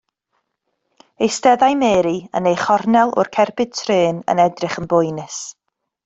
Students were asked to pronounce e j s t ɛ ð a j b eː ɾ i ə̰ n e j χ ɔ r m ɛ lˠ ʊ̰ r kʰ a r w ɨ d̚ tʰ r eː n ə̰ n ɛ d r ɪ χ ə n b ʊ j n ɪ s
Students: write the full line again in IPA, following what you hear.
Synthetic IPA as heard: e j s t ɛ ð a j m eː ɾ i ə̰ n e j χ ɔ r n ɛ lˠ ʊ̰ r kʰ ɛ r b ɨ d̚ tʰ r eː n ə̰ n ɛ d r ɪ χ ə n b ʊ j n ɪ s